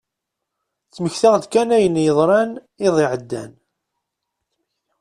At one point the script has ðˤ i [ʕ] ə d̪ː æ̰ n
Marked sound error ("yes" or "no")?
no